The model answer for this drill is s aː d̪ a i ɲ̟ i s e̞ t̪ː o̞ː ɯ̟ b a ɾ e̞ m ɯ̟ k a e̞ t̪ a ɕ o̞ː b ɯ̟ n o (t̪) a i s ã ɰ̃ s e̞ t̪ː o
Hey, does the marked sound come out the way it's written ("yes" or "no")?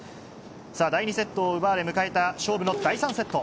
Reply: no